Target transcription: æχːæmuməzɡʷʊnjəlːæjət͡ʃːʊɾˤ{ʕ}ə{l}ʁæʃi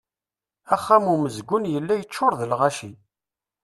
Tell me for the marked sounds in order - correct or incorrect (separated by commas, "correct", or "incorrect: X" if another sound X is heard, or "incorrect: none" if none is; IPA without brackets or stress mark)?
incorrect: ð, correct